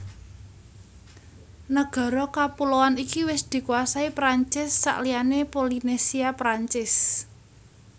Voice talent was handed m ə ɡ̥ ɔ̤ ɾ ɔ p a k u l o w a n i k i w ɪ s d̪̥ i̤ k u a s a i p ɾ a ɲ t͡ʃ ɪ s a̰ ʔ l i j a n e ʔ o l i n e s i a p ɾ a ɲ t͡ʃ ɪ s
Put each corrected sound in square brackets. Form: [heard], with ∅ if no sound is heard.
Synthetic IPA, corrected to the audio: [n] ə ɡ̥ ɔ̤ ɾ ɔ [k] a [p] u l o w a n i k i w ɪ s d̪̥ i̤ k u a s a i p ɾ a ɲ t͡ʃ ɪ [sː] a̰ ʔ l i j a n e [p] o l i n e s i a p ɾ a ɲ t͡ʃ ɪ s